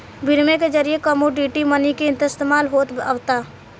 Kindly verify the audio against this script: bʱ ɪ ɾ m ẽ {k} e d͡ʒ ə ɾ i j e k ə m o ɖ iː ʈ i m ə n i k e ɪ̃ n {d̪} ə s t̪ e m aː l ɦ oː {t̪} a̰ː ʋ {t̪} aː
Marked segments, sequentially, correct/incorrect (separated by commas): correct, incorrect, correct, correct